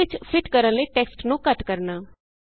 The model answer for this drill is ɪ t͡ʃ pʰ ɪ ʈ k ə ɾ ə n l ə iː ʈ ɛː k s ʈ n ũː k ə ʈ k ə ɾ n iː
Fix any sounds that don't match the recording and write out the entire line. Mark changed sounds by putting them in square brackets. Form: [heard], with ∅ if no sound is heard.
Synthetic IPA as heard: ɪ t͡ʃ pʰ ɪ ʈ k ə ɾ ə n l ə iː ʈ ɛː k s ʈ n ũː k ə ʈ k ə ɾ n [aː]